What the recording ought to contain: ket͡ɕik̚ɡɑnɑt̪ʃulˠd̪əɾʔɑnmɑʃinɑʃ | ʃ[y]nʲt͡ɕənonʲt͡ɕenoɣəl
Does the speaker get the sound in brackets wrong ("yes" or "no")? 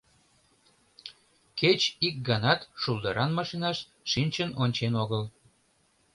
yes